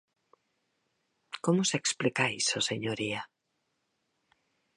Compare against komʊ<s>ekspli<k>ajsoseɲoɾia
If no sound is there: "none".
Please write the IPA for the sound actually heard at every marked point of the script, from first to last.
s, k

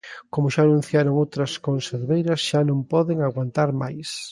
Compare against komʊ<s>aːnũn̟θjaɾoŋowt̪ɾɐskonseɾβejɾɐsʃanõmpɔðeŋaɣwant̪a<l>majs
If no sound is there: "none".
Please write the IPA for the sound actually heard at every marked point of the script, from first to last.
ʃ, ɾ

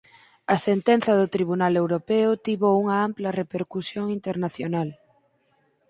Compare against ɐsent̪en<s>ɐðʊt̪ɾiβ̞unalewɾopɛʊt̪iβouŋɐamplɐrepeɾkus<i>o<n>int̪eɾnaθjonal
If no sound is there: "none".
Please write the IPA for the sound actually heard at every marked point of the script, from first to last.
θ, j, ŋ

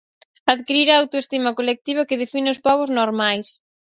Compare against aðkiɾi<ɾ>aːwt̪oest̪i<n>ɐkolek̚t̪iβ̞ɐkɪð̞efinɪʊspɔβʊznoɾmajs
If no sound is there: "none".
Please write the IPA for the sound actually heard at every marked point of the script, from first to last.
ɾ, m

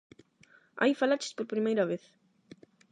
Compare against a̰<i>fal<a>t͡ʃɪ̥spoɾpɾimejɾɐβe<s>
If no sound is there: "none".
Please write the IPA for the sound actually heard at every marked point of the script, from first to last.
j, a, θ

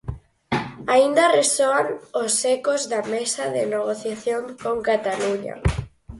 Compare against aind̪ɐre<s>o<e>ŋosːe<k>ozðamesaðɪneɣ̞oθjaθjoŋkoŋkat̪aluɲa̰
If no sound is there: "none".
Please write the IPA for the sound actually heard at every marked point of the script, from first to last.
s, a, k

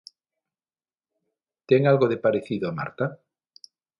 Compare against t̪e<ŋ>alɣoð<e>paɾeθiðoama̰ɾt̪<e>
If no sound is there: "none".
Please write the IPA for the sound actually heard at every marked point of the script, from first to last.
ŋ, e, a

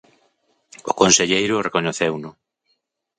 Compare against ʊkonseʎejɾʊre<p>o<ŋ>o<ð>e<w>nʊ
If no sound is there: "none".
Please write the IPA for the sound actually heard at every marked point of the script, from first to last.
k, ɲ, θ, w

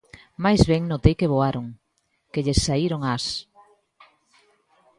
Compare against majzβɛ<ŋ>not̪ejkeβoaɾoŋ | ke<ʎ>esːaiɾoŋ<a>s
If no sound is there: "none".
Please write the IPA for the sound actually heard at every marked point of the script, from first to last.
ŋ, ʎ, a

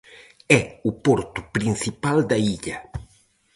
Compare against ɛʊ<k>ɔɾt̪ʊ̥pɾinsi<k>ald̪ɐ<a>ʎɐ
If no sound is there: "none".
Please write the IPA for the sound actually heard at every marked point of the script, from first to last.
p, p, i

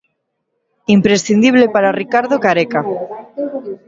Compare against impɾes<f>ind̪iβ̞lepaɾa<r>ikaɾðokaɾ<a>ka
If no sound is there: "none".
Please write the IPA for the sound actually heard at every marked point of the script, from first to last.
θ, r, e

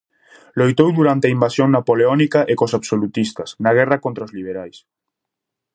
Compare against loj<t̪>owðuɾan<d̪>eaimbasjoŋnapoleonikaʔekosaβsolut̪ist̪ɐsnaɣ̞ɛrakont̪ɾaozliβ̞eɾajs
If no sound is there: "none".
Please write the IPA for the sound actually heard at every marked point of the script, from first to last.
t̪, t̪

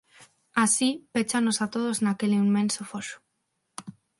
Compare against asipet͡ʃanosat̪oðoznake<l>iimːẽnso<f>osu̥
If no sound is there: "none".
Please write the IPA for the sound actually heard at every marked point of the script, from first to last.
l, f

